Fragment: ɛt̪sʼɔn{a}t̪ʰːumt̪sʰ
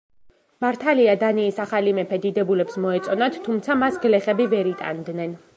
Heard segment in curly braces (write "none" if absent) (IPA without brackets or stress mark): a